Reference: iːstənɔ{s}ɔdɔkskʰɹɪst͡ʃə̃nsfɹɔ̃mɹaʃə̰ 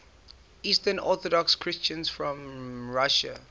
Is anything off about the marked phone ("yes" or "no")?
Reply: yes